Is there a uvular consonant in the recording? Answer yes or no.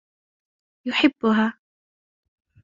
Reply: no